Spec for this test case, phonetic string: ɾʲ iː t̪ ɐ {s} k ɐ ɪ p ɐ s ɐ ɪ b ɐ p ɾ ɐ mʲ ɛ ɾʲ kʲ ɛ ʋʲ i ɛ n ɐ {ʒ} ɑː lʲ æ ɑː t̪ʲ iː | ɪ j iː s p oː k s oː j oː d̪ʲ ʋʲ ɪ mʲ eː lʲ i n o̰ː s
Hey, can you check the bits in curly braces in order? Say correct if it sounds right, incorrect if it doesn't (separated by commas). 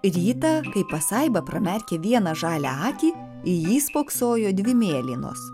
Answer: incorrect, correct